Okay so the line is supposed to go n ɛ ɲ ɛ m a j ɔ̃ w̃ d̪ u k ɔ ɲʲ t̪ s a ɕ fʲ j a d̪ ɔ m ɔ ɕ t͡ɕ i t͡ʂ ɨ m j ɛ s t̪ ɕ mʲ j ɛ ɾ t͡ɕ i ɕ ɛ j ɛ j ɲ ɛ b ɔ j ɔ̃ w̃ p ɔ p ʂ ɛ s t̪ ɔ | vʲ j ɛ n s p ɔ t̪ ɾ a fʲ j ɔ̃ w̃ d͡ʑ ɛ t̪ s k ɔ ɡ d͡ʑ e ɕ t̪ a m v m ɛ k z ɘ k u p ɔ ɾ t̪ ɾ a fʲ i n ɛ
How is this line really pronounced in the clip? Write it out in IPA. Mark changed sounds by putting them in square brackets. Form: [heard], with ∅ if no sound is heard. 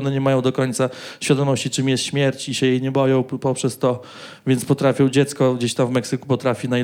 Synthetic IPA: n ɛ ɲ ɛ m a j ɔ̃ w̃ d̪ [ɔ] k ɔ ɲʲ t̪ s a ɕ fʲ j a d̪ ɔ m ɔ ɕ t͡ɕ i t͡ʂ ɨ m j ɛ s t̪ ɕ mʲ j ɛ ɾ t͡ɕ i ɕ ɛ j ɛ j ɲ ɛ b ɔ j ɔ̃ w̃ p ɔ p ʂ ɛ s t̪ ɔ | vʲ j ɛ n s p ɔ t̪ ɾ a fʲ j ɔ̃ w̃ d͡ʑ ɛ t̪ s k ɔ ɡ d͡ʑ e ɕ t̪ a m v m ɛ k [s] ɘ k u p ɔ [∅] t̪ ɾ a fʲ i n [a]